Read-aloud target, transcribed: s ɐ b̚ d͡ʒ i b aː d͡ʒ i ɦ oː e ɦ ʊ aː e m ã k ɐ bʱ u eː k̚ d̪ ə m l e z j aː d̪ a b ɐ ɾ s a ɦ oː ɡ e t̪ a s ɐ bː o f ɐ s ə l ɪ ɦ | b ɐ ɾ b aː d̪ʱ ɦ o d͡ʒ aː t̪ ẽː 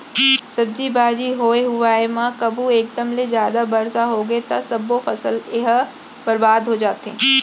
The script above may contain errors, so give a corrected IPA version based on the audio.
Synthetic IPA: s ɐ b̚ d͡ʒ i b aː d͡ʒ i ɦ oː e ɦ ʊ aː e m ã k ɐ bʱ u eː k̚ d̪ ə m l e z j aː d̪ a b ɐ ɾ s a ɦ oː ɡ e t̪ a s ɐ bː o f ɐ s ə l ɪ ɦ | b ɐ ɾ b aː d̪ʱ ɦ o d͡ʒ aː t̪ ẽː